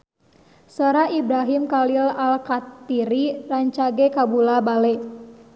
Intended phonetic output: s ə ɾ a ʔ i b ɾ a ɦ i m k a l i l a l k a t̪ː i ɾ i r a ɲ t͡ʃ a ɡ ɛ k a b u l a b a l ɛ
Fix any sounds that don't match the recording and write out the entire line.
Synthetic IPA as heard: s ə ɾ a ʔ i b ɾ a ɦ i m k a l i l a l k a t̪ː i ɾ i r a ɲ t͡ʃ a ɡ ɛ k a b u l a b a l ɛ